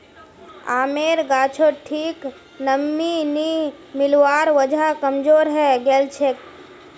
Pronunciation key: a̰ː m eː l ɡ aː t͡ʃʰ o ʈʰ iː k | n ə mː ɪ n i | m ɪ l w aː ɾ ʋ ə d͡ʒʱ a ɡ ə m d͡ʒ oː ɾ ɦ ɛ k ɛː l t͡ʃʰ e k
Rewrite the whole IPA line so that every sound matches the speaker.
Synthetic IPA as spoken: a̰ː m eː ɾ ɡ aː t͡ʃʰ o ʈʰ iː k | n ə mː i n i | m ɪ l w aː ɾ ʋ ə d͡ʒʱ a k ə m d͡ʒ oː ɾ ɦ ɛ ɡ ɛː l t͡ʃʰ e k